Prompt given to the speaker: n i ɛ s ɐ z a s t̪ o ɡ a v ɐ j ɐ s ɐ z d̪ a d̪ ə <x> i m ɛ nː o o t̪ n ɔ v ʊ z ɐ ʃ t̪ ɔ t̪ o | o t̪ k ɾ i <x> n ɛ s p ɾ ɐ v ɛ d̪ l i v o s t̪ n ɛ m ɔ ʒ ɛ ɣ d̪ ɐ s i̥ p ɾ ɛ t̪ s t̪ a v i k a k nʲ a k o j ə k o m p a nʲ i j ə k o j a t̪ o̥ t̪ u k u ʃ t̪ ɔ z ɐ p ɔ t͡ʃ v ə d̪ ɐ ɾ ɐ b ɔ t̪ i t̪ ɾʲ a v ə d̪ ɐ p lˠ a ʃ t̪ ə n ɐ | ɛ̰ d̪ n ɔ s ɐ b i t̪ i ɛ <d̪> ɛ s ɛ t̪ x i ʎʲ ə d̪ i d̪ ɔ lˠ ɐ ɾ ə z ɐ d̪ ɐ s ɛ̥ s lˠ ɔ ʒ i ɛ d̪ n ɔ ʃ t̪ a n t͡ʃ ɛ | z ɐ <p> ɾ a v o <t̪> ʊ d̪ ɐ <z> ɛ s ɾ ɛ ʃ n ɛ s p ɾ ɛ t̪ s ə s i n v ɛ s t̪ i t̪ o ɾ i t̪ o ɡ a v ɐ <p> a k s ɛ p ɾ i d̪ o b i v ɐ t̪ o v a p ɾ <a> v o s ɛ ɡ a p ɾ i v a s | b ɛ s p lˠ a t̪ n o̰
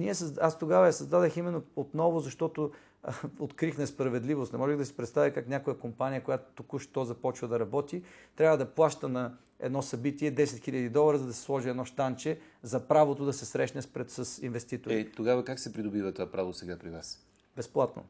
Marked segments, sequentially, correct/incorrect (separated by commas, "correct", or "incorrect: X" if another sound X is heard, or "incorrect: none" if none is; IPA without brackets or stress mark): correct, correct, correct, correct, correct, incorrect: s, incorrect: k, correct